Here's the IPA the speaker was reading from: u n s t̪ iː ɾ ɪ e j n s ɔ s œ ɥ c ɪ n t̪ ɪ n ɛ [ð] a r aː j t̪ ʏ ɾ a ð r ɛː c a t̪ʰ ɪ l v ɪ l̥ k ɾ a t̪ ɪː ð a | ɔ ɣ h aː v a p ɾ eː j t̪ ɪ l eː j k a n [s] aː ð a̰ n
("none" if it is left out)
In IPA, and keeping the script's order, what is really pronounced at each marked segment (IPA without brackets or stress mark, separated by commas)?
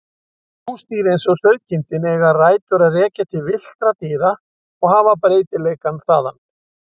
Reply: ɣ, θ